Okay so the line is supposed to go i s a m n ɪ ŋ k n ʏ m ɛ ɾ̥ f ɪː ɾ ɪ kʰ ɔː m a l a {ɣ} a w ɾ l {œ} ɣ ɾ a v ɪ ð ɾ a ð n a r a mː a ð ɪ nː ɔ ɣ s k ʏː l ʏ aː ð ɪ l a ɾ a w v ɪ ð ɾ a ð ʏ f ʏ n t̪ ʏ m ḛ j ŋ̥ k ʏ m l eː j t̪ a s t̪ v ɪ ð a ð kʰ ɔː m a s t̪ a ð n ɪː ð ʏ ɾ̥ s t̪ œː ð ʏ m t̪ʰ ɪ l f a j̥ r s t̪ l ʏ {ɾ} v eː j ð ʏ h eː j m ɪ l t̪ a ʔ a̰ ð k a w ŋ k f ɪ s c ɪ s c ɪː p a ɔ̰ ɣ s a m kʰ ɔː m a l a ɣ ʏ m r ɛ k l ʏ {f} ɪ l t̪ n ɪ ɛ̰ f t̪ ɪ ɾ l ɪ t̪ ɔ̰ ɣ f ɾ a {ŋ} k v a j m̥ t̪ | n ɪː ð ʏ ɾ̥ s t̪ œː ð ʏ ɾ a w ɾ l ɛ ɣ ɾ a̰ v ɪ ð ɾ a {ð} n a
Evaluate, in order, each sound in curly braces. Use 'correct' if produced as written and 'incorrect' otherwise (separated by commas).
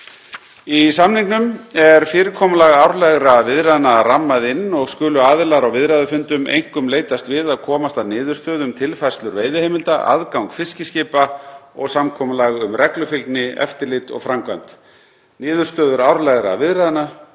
correct, incorrect, correct, correct, incorrect, correct